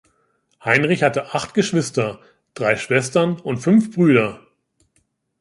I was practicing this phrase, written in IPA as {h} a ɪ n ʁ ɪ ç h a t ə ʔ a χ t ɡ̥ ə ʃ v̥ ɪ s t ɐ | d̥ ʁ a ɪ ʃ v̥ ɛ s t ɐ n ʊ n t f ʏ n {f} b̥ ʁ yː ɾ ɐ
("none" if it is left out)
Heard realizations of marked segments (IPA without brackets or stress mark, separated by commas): h, f